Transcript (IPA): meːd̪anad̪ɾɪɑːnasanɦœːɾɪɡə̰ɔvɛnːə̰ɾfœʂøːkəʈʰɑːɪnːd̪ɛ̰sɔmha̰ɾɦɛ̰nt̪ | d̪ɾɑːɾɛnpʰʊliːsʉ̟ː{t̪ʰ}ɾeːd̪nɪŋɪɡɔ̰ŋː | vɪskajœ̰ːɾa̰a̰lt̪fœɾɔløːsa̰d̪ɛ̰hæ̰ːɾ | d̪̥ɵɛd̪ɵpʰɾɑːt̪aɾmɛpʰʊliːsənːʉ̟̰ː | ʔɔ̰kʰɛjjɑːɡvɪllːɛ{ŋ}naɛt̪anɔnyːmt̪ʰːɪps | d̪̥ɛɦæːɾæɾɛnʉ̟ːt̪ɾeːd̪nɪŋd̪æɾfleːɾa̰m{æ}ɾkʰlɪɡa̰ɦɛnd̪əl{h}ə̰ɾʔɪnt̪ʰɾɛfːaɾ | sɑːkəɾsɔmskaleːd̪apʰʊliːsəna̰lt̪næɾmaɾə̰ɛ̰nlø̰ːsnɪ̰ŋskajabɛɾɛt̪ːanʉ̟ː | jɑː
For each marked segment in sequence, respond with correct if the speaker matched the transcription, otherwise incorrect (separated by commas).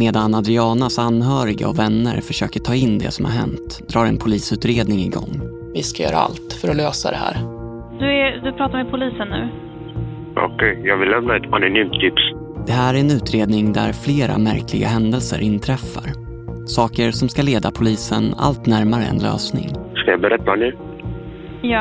incorrect, incorrect, correct, incorrect